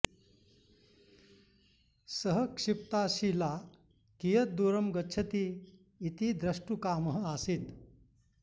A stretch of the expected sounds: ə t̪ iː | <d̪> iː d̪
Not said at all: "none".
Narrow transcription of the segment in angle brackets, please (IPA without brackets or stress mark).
t̪